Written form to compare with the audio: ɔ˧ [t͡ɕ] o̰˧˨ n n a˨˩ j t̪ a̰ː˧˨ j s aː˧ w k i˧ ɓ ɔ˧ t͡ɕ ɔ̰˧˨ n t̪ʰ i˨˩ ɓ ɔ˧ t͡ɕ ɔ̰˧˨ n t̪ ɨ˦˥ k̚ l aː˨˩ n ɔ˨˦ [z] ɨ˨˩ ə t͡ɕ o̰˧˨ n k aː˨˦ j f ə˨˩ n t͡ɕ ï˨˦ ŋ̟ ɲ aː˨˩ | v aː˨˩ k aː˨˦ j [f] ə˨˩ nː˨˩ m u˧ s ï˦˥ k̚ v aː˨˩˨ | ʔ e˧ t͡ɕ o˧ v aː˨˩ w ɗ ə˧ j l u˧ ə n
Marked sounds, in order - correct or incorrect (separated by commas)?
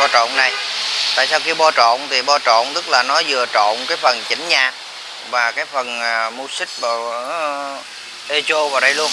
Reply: correct, correct, correct